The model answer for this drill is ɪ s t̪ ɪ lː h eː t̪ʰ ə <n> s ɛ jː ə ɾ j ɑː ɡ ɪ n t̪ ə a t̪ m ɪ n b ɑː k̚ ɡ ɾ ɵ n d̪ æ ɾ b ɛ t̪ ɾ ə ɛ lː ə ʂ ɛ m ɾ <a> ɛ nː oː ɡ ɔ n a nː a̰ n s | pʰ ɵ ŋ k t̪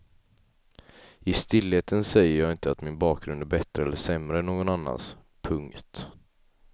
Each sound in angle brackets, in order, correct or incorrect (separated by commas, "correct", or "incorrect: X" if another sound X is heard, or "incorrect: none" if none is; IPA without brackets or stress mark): correct, incorrect: ə